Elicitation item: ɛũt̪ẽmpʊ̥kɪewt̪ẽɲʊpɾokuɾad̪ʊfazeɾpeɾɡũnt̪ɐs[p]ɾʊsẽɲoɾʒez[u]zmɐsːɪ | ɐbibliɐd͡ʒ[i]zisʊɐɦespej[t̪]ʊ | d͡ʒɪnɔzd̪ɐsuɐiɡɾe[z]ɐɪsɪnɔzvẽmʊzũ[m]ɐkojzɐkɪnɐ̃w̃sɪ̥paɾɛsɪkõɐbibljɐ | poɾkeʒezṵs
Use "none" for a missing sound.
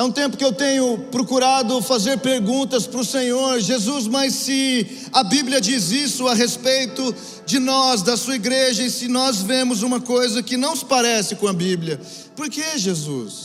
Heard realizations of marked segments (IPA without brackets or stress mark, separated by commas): p, u, i, t̪, ʒ, m